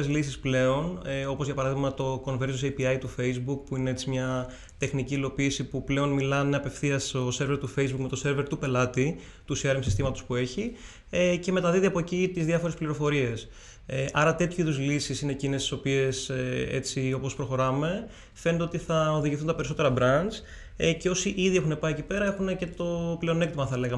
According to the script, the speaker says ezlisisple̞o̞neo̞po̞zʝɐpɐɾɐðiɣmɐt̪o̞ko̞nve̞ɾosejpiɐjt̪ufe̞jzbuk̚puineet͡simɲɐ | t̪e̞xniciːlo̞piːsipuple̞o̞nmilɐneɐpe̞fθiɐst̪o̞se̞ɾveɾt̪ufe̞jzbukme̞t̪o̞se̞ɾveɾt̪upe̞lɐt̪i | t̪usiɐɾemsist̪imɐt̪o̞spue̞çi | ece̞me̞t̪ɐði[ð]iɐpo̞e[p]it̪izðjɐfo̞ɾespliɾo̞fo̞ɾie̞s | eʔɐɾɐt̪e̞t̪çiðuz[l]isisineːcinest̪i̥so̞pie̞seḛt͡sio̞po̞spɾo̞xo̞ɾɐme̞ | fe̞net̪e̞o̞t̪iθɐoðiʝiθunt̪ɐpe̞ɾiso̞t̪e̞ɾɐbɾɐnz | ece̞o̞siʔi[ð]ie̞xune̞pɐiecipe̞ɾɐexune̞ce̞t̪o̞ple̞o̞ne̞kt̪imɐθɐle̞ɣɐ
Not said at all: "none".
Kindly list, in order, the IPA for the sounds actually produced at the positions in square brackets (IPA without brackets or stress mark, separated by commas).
ð, c, l, ð